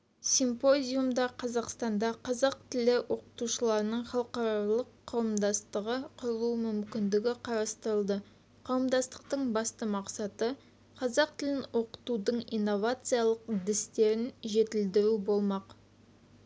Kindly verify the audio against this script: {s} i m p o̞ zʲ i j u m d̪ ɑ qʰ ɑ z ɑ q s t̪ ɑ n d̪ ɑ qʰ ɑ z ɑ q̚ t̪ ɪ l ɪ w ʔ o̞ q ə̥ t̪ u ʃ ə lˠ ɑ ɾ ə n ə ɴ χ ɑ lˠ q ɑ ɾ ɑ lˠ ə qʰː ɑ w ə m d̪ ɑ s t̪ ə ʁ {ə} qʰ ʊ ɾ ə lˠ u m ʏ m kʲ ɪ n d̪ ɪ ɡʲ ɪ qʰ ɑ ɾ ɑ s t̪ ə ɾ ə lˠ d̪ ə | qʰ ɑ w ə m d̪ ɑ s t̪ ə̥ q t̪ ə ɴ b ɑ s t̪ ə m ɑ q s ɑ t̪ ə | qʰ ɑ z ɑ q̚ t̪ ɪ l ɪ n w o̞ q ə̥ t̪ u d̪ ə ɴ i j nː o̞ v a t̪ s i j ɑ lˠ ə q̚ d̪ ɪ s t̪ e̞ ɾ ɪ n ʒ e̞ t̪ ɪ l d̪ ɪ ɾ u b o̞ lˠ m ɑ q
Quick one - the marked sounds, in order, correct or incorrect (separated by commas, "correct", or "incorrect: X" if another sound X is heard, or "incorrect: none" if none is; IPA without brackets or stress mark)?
correct, correct